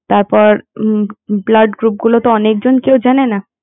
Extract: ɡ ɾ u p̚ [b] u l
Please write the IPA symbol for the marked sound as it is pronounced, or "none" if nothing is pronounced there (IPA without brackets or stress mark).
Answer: ɡ